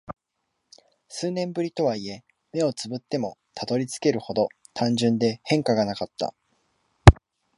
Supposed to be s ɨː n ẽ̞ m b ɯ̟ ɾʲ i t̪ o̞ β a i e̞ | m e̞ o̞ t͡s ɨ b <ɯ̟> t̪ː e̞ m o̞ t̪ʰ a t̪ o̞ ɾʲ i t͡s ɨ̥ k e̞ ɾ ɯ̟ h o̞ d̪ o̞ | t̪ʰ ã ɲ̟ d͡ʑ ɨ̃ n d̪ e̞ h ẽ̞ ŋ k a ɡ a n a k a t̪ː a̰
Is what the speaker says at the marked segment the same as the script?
yes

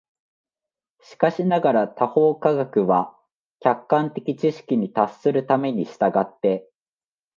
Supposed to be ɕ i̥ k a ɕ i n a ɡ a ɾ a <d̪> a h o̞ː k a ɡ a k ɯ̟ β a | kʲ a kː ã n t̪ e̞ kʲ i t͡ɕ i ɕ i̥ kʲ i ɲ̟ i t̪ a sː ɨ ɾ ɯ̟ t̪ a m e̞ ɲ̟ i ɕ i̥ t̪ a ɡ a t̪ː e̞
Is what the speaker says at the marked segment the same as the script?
no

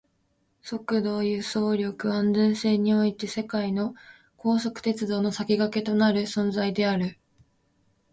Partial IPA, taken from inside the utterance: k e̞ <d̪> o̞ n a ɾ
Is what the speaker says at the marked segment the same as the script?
no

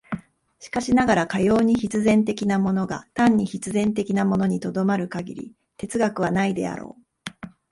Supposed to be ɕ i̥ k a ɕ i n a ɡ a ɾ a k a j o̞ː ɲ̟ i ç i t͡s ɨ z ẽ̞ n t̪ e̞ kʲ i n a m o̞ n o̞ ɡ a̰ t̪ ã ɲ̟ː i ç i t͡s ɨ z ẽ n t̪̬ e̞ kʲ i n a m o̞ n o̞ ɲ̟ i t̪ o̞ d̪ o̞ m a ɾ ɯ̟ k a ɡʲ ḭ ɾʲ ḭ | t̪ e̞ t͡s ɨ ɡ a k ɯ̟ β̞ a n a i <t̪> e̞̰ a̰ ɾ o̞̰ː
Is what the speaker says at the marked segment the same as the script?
no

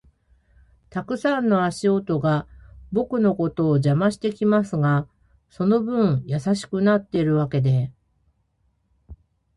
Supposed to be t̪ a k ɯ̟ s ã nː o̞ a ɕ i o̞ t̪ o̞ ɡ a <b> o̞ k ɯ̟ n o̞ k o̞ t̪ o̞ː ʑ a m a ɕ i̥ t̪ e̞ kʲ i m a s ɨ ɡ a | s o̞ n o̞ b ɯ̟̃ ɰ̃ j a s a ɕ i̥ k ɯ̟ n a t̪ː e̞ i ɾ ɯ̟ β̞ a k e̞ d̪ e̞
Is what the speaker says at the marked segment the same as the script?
yes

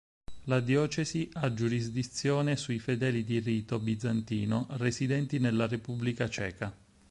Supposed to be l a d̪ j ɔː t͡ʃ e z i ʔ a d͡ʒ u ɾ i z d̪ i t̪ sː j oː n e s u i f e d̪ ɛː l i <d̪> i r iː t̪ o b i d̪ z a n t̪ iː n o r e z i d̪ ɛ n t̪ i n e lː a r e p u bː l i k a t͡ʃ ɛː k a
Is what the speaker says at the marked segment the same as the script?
yes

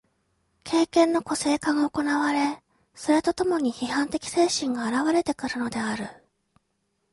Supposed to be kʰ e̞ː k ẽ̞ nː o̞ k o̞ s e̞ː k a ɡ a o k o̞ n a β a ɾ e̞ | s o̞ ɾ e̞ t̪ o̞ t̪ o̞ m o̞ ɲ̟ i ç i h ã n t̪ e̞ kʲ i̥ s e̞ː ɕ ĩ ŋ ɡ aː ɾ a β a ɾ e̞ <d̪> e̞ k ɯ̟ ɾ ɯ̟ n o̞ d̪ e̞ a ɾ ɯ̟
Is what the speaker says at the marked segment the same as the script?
no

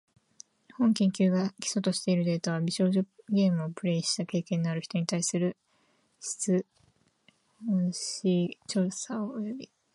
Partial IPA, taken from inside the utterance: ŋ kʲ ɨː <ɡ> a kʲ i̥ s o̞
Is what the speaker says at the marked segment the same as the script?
yes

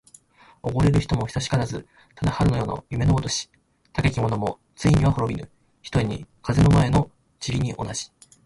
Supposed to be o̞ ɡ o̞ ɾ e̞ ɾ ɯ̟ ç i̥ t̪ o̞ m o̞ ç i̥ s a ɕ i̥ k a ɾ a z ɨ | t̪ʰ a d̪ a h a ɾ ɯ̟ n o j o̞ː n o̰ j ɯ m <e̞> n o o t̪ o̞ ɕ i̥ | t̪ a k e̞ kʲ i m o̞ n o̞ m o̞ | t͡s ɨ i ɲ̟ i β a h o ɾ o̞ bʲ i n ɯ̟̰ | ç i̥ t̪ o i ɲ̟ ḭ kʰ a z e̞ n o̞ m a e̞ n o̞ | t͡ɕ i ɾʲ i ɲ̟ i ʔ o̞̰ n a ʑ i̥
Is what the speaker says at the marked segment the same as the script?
yes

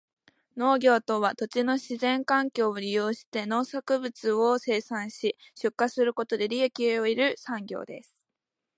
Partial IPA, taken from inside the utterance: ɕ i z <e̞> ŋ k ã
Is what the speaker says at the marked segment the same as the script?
no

